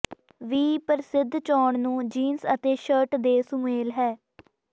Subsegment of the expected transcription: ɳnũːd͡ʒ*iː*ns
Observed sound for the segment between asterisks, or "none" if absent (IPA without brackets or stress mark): iː